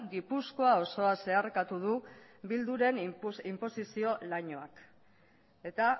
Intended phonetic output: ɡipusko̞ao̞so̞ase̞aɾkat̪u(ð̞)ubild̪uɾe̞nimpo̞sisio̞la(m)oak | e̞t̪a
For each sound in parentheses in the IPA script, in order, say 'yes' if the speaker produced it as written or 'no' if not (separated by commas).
yes, no